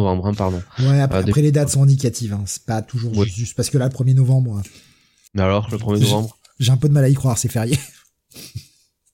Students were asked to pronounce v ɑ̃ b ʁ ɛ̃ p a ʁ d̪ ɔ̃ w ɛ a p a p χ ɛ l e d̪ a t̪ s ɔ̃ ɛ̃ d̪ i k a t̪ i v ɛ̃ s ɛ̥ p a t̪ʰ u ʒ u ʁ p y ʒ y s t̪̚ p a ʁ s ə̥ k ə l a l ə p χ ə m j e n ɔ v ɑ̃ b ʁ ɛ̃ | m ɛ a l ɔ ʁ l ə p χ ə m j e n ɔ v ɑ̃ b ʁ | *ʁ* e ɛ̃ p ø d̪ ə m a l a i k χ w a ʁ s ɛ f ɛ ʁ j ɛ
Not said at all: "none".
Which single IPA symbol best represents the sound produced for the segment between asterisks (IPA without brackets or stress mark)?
ʒ